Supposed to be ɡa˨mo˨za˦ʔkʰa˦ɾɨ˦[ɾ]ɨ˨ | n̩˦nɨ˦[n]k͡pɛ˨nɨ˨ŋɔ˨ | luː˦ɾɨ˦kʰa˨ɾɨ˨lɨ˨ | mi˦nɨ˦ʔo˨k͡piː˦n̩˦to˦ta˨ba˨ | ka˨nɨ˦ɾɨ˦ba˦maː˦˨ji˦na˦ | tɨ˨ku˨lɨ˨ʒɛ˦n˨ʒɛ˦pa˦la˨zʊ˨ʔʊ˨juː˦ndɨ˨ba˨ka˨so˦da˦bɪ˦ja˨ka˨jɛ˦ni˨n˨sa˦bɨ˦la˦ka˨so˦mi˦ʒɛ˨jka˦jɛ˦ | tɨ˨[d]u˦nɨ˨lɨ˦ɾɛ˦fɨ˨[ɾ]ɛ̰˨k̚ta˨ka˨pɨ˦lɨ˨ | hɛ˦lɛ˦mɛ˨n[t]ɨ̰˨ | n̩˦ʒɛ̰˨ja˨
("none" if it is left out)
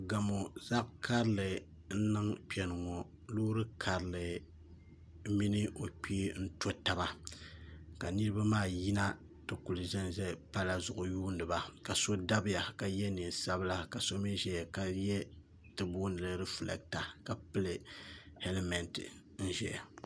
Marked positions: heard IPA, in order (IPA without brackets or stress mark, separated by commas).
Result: l, ŋ, b, l, t